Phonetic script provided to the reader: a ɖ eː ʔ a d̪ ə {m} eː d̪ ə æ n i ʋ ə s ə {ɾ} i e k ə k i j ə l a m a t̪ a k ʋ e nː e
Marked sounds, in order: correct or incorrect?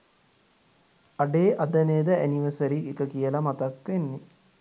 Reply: incorrect, correct

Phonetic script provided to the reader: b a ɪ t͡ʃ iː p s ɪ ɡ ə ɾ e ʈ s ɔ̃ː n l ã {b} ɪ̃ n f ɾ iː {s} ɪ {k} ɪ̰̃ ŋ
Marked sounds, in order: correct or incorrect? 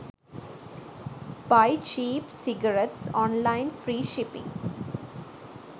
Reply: incorrect, incorrect, incorrect

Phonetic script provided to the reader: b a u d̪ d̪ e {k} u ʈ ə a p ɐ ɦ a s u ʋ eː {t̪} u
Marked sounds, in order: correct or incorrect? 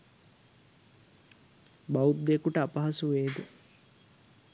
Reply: correct, incorrect

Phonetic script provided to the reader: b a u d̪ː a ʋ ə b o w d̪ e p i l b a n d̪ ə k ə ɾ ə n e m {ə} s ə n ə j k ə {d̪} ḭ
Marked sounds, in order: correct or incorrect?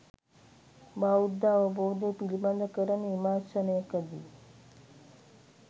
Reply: incorrect, correct

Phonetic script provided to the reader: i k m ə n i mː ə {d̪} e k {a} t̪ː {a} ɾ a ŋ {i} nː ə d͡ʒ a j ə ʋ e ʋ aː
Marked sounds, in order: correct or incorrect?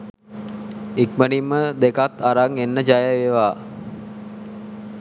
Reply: correct, correct, correct, incorrect

